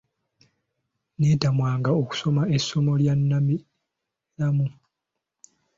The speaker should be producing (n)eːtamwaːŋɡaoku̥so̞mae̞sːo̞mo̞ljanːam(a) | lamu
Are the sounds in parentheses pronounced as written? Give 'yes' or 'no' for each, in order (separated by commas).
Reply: yes, no